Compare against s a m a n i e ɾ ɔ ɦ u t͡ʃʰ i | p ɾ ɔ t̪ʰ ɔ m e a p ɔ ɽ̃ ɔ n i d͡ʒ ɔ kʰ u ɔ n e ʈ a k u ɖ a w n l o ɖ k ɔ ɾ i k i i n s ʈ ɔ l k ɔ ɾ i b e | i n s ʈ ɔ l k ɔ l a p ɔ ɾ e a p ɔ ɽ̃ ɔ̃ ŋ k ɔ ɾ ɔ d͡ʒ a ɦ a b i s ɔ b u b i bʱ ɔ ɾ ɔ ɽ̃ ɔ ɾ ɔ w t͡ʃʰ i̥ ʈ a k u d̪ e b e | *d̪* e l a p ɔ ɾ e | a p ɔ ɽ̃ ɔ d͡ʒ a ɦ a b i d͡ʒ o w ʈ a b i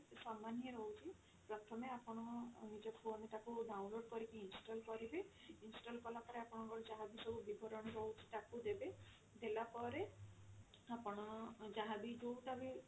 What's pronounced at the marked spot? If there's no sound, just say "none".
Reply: d̪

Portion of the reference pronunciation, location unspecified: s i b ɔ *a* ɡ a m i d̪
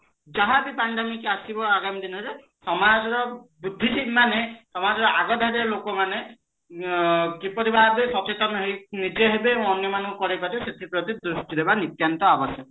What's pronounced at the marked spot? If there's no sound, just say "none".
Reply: a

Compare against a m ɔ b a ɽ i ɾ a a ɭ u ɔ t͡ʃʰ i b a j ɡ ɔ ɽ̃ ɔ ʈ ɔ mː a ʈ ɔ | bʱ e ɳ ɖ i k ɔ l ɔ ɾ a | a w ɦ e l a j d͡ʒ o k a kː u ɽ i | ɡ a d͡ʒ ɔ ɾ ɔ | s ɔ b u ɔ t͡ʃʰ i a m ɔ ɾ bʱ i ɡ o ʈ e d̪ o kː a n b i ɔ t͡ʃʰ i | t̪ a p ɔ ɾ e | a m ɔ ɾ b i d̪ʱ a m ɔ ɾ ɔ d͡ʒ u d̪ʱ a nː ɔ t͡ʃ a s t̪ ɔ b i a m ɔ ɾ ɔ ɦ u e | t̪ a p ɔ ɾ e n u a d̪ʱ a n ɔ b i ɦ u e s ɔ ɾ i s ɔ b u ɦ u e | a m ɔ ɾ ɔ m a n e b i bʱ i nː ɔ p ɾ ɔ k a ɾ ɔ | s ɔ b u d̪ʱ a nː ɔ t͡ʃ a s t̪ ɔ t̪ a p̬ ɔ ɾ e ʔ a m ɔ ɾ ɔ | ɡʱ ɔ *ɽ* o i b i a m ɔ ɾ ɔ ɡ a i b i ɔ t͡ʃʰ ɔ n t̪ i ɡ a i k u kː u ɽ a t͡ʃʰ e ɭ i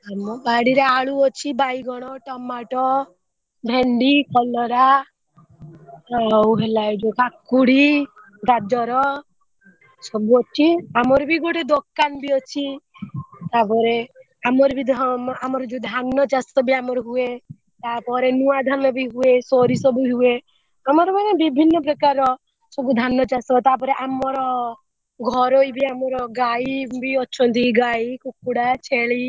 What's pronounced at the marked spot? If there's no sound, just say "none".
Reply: ɾ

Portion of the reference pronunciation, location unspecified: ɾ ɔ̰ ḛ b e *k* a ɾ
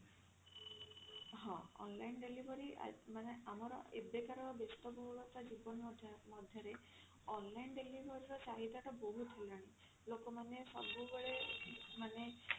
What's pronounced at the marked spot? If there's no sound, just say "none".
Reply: k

